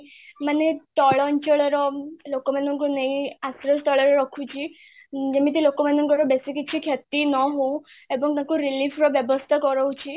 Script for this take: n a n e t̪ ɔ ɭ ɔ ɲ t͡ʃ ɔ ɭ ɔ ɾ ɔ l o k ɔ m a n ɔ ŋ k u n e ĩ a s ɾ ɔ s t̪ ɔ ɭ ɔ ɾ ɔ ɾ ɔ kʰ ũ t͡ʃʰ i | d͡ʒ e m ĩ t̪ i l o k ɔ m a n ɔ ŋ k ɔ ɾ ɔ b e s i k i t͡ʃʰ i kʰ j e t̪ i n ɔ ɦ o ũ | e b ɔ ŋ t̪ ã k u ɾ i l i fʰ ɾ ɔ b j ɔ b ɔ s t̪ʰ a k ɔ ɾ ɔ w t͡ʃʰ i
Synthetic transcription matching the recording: m a n e t̪ ɔ ɭ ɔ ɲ t͡ʃ ɔ ɭ ɔ ɾ ɔ l o k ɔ m a n ɔ ŋ k u n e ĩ a s ɾ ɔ s t̪ ɔ ɭ ɔ ɾ ɔ ɾ ɔ kʰ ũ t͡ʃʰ i | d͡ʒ e m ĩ t̪ i l o k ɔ m a n ɔ ŋ k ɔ ɾ ɔ b e s i k i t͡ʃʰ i kʰ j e t̪ i n ɔ ɦ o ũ | e b ɔ ŋ t̪ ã k u ɾ i l i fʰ ɾ ɔ b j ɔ b ɔ s t̪ʰ a k ɔ ɾ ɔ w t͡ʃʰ i